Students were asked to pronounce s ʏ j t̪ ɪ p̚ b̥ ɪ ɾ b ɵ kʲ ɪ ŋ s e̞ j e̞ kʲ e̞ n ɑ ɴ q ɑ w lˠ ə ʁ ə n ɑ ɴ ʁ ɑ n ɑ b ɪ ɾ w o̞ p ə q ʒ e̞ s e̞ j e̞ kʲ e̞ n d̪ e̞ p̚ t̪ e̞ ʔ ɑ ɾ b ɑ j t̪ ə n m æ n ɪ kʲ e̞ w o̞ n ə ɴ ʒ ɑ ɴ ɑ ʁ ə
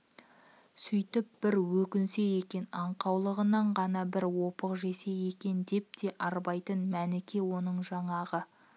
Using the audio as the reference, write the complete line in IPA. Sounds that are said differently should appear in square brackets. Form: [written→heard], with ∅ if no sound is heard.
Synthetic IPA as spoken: s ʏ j t̪ ɪ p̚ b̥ ɪ ɾ [b→w] ɵ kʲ ɪ [ŋ→n] s e̞ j e̞ kʲ e̞ n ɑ ɴ q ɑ w lˠ ə ʁ ə n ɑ ɴ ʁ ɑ n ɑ b ɪ ɾ w o̞ p ə q ʒ e̞ s e̞ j e̞ kʲ e̞ n d̪ e̞ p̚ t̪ e̞ ʔ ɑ ɾ b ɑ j t̪ ə n m æ n ɪ kʲ e̞ w o̞ n ə ɴ ʒ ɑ ɴ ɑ ʁ ə